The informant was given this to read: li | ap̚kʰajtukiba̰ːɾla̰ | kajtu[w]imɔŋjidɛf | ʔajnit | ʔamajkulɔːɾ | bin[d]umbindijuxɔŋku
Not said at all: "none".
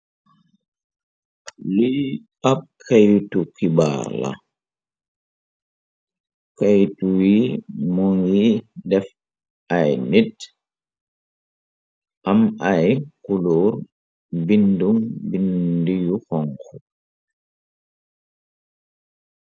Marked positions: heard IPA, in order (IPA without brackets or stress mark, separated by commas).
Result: w, d